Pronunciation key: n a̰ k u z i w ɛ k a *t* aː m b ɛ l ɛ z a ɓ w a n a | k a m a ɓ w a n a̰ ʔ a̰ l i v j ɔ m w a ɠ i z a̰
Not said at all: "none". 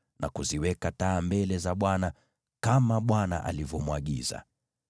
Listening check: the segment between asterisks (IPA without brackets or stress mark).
t